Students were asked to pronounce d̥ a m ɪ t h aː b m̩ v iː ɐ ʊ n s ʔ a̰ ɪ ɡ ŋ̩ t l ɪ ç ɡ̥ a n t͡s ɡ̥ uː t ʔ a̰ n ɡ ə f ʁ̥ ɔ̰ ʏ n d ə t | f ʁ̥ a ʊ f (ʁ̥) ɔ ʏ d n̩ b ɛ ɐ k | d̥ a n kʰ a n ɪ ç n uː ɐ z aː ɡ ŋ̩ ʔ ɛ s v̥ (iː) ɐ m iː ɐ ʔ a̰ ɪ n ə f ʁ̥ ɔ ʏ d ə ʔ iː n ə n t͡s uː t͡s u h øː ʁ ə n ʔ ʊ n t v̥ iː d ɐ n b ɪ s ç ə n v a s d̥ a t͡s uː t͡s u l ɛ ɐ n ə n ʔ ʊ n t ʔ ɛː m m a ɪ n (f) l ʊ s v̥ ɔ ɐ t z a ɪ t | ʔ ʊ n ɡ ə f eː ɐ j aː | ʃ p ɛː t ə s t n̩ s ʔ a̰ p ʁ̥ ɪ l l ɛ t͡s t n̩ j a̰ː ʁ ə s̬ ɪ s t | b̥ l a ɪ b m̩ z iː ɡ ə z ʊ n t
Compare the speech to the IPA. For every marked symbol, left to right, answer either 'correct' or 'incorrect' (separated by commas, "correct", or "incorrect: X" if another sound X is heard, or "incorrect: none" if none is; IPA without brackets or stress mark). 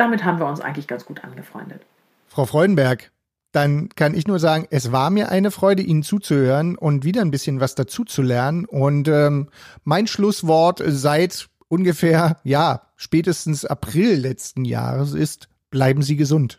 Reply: correct, incorrect: aː, incorrect: ʃ